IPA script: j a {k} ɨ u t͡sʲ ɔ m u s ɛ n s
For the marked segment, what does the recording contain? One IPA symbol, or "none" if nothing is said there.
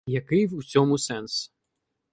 k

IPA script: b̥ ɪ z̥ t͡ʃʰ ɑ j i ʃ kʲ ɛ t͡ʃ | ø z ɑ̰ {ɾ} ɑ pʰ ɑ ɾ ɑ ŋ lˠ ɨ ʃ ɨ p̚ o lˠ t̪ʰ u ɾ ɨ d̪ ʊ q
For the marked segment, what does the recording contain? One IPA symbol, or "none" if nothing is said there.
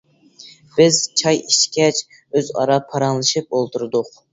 ɾ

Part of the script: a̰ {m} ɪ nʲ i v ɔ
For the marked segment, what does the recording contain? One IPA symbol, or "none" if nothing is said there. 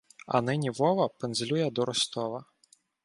n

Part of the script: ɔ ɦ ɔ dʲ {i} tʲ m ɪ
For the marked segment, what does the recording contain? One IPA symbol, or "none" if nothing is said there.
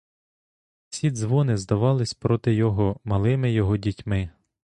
i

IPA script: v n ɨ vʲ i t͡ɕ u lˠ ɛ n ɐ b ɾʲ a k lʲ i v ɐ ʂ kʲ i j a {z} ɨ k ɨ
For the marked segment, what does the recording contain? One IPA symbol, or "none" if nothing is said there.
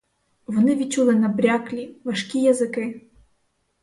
z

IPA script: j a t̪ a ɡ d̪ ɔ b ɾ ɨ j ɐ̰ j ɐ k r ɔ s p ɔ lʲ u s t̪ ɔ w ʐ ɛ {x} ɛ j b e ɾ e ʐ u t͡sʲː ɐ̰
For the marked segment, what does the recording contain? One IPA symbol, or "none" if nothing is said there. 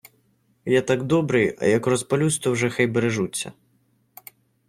x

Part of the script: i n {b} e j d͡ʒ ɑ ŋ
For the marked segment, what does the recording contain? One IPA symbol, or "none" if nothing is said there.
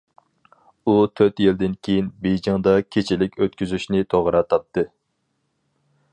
b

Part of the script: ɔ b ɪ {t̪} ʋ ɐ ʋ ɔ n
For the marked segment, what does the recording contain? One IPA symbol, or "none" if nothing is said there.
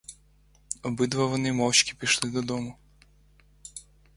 d̪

